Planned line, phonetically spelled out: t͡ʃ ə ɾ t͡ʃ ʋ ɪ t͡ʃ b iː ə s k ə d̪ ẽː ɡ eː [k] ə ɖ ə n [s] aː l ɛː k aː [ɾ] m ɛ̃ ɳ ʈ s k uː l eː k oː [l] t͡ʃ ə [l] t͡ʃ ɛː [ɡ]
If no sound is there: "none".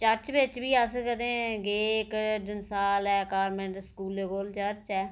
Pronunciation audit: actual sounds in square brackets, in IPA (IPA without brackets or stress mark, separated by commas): k, s, ɾ, l, ɾ, none